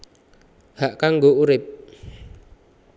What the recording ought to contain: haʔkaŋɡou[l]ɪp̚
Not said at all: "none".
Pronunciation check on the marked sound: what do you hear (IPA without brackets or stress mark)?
ɾ